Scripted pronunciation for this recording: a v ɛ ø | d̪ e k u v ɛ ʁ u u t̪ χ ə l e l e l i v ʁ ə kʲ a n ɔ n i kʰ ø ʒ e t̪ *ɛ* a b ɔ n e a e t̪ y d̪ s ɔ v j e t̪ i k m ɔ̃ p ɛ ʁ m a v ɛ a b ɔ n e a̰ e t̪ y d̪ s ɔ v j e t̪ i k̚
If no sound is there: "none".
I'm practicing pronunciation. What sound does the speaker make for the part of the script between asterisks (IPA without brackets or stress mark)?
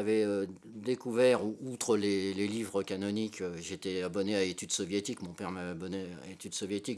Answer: ɛ